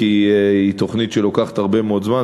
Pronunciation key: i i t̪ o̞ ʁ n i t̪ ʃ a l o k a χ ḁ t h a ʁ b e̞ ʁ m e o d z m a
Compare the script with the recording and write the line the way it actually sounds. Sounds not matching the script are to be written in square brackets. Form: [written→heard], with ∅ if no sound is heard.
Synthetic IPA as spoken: i i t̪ o̞ [ʁ→χ] n i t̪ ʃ [a→e] l o k a χ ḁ t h a ʁ b e̞ [ʁ→∅] m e o d z m a

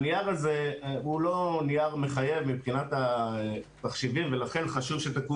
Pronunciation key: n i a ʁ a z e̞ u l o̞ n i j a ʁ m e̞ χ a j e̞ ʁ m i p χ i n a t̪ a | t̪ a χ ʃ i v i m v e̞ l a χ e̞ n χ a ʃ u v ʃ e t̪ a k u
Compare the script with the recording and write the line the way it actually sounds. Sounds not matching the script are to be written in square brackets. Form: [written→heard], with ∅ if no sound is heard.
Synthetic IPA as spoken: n i a ʁ a z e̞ u l o̞ n i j a ʁ m e̞ χ a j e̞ [ʁ→v] m i p χ i n a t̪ a | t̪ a χ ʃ i v i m v e̞ l a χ e̞ n χ a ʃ u v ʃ e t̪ a k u

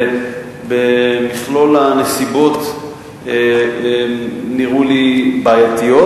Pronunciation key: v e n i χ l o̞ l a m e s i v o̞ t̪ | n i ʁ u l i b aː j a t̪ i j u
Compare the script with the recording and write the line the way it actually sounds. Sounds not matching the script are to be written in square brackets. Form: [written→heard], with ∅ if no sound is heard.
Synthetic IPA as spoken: [v→b] e [n→m] i χ l o̞ l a [m→n] e s i [v→b] o̞ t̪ | n i ʁ u l i b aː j a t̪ i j [u→o]

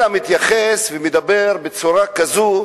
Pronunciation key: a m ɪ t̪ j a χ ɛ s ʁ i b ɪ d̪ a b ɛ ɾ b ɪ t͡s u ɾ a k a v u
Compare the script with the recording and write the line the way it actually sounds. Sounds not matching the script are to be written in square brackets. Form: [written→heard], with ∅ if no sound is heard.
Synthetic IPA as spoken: a m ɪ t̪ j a χ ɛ s [ʁ→v] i [b→m] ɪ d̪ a b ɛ ɾ b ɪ t͡s u ɾ a k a [v→z] u

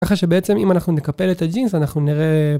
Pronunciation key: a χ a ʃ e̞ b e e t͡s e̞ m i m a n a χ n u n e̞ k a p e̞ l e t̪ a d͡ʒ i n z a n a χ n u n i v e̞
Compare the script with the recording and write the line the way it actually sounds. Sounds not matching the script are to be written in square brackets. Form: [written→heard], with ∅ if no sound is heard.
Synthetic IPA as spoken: a χ a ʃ e̞ b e e t͡s e̞ m i m a n a χ n u n e̞ k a p e̞ l e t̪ a d͡ʒ i n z a n a χ n u n i [v→ʁ] e̞

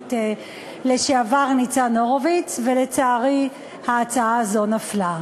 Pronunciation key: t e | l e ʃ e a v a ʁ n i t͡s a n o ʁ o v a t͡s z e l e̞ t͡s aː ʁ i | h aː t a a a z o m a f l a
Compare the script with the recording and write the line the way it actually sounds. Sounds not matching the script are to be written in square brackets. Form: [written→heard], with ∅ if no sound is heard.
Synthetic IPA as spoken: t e | l e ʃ e a v a ʁ n i t͡s a n o ʁ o v [a→i] t͡s [z→v] e l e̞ t͡s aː ʁ i | h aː [t→t͡s] a a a z o [m→n] a f l a

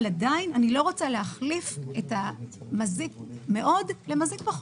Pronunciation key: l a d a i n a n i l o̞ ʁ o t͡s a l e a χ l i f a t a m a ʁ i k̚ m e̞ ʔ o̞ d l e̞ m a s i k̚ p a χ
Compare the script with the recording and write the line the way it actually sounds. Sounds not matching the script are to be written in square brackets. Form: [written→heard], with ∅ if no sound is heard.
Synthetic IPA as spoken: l a d a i n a n i l o̞ ʁ o t͡s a l e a χ l i f [a→e] t a m a [ʁ→z] i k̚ m e̞ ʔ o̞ d l e̞ m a [s→z] i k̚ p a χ

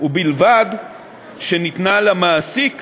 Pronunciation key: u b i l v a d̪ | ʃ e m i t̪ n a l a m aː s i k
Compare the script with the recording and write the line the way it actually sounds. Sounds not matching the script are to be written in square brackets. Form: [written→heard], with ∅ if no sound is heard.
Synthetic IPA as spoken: u b i l v a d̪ | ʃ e [m→n] i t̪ n a l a m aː s i k

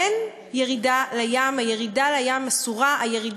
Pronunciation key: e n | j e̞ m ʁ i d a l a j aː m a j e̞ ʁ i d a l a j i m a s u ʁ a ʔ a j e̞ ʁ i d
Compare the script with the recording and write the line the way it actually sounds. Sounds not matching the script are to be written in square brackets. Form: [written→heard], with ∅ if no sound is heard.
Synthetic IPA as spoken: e n | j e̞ [m→∅] ʁ i d a l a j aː m a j e̞ ʁ i d a l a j [i→a] m a s u ʁ a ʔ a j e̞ ʁ i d

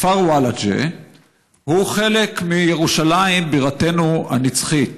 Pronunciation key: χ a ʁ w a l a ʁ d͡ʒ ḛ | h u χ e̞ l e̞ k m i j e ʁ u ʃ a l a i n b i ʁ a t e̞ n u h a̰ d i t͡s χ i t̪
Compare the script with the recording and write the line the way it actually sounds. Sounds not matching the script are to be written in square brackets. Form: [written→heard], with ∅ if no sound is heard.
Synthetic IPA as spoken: [χ→f] a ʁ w a l a [ʁ→∅] d͡ʒ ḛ | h u χ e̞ l e̞ k m i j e ʁ u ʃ a l a i [n→m] b i ʁ a t e̞ n u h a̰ [d→n] i t͡s χ i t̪

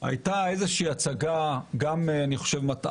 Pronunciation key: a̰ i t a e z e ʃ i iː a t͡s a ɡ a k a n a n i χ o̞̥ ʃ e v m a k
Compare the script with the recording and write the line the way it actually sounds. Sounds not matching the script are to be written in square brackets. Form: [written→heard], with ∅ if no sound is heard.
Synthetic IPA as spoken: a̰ [i→j] t a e z e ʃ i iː a t͡s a ɡ a [k→ɡ] a [n→m] a n i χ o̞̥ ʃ e v m a [k→t]

